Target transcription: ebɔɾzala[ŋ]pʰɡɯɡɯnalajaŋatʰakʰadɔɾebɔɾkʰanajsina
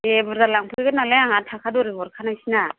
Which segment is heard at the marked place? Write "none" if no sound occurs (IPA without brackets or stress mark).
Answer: ŋ